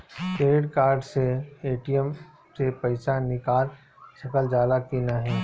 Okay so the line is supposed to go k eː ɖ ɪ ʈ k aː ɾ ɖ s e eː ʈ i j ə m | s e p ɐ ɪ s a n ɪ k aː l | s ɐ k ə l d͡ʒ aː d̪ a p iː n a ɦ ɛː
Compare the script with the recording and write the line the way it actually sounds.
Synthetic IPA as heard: k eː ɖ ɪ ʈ k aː ɾ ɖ s e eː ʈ i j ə m | s e p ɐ ɪ s a n ɪ k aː l | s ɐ k ə l d͡ʒ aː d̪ a k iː n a ɦ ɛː